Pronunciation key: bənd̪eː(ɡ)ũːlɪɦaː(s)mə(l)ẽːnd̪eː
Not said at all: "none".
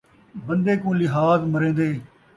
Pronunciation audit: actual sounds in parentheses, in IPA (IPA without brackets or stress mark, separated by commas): k, z, ɾ